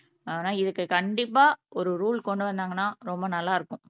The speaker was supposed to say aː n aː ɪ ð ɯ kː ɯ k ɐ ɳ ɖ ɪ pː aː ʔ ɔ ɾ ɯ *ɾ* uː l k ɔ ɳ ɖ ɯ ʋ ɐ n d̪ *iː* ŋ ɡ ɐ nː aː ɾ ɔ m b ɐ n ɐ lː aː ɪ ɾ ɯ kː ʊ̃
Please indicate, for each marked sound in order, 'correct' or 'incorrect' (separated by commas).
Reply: correct, incorrect